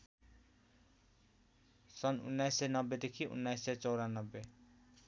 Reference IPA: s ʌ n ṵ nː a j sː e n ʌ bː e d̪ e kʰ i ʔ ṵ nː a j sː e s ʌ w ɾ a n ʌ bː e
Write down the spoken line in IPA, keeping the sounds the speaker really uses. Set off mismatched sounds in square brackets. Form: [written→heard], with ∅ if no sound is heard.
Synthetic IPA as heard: s ʌ n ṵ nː a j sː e n ʌ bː e d̪ e kʰ i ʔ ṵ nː a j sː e [s→t͡s] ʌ w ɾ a n ʌ bː e